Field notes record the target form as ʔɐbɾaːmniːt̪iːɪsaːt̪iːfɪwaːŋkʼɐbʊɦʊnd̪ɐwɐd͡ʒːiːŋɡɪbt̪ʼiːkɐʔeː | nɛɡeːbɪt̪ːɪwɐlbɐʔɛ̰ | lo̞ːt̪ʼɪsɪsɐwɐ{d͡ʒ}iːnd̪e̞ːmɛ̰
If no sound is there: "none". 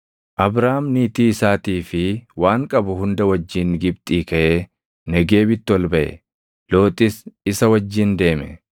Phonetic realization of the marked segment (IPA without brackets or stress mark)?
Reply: d͡ʒː